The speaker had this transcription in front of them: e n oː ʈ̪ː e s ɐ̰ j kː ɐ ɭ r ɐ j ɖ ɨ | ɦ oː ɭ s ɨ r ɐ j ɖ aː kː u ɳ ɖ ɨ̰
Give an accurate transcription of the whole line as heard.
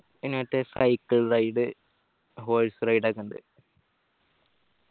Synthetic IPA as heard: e n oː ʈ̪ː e s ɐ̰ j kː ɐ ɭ r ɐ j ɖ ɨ | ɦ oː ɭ s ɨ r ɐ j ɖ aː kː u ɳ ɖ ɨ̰